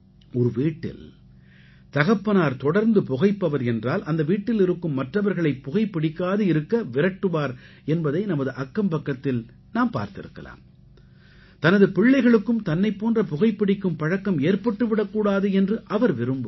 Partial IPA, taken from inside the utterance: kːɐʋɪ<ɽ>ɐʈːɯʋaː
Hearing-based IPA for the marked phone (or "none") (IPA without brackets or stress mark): ɾ